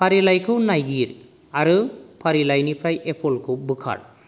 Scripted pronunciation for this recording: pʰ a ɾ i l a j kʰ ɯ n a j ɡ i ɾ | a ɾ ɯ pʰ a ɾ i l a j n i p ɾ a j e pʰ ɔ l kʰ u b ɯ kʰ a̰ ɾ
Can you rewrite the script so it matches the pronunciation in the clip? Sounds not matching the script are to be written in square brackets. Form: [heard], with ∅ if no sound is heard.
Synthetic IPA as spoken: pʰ a ɾ i l a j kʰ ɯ n a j ɡ i ɾ | a ɾ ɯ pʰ a ɾ i l a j n i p ɾ a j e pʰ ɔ l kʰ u b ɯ kʰ a̰ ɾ